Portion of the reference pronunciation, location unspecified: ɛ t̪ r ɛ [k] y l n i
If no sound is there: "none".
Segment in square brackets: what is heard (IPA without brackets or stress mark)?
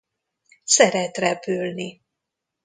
p